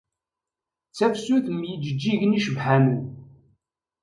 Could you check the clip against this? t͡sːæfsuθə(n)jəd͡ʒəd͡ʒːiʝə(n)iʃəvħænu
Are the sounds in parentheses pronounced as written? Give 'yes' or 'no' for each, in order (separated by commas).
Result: no, yes